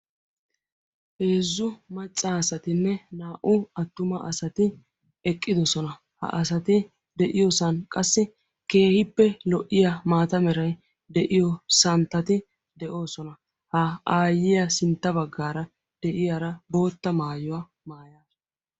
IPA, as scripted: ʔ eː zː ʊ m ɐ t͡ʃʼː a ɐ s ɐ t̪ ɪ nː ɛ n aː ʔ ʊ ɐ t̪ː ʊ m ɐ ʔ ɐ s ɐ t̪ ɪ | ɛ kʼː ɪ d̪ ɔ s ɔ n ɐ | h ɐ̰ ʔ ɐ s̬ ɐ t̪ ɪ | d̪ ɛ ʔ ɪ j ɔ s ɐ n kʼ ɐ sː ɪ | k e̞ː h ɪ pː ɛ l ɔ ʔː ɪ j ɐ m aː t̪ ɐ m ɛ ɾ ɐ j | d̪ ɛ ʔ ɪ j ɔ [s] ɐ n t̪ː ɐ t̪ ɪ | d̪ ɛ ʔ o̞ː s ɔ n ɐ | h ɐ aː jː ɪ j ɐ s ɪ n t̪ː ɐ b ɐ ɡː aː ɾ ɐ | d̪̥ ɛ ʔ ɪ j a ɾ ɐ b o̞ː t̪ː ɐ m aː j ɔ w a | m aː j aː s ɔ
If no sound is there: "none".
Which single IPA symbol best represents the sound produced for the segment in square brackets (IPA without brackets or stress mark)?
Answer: s